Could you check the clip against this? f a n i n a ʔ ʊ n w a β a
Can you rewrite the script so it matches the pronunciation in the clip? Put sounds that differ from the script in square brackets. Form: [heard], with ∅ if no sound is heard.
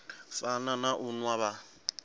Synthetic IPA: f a n [a] n a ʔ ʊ n w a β a